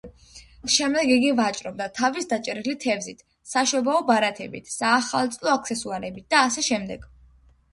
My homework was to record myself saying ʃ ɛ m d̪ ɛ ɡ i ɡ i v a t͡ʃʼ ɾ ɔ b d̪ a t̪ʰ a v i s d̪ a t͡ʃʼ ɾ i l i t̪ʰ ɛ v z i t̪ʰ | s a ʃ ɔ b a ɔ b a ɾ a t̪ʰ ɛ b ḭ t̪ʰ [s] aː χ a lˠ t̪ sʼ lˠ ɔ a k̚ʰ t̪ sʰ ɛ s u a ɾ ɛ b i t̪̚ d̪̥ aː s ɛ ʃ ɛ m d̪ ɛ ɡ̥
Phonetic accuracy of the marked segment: correct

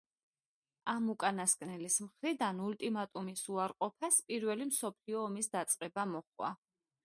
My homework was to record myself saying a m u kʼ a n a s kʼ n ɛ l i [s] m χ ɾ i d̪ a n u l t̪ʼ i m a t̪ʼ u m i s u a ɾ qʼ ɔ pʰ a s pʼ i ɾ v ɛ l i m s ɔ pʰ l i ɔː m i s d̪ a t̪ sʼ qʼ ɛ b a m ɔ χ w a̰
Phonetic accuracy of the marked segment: correct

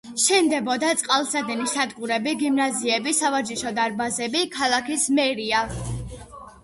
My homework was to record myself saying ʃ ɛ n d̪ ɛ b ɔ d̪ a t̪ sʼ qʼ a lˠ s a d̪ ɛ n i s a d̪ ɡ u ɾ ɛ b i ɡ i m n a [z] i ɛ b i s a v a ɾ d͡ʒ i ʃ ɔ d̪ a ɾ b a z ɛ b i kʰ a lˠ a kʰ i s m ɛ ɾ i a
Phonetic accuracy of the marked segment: correct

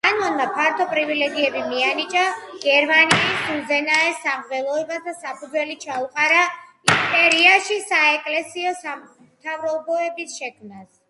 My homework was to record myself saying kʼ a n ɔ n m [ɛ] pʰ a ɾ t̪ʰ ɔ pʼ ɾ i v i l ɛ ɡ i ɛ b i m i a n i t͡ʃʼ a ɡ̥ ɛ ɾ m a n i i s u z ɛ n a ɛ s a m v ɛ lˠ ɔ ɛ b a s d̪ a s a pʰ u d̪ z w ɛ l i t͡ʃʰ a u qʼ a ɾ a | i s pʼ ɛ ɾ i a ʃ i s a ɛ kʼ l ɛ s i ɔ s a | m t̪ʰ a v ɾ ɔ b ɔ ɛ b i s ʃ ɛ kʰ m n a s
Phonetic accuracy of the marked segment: incorrect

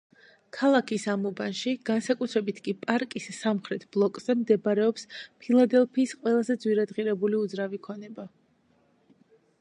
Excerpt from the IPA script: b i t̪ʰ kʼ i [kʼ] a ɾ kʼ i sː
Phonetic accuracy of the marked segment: incorrect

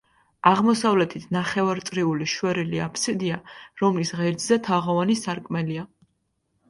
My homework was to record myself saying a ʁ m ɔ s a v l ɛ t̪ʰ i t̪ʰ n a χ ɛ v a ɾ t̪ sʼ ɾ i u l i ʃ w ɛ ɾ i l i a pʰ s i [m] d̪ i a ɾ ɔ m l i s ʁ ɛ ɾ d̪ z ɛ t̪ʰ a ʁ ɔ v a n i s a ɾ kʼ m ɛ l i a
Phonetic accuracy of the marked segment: incorrect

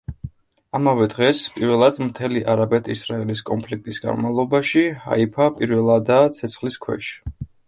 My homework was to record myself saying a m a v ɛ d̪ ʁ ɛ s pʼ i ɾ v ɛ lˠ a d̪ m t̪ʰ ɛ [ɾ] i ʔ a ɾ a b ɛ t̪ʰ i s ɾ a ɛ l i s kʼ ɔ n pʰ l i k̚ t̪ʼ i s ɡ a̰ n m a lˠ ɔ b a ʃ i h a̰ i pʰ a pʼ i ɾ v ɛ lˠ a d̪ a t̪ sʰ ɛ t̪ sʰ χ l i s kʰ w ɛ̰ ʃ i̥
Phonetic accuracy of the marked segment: incorrect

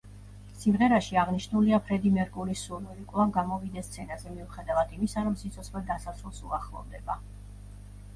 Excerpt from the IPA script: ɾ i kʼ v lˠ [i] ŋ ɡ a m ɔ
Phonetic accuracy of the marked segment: incorrect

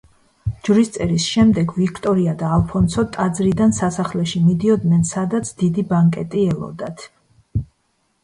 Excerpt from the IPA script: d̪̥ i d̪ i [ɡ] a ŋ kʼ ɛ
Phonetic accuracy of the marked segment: incorrect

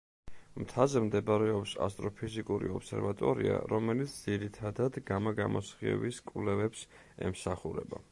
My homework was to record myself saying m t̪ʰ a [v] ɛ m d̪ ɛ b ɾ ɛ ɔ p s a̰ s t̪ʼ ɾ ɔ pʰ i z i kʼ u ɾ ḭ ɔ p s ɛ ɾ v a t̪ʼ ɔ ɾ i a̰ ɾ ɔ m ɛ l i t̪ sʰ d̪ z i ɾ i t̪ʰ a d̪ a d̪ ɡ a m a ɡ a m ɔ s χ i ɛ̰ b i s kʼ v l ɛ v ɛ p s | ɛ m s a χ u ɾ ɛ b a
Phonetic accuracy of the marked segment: incorrect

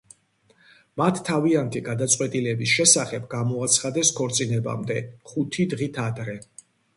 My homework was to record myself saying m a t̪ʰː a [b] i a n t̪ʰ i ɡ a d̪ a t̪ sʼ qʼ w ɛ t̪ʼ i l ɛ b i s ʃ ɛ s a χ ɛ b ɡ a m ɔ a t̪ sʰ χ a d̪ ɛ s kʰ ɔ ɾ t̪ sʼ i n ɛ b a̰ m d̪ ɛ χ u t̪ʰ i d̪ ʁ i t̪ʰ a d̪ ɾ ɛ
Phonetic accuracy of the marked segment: incorrect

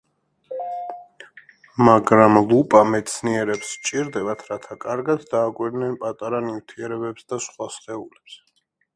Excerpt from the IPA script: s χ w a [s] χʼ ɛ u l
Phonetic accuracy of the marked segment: correct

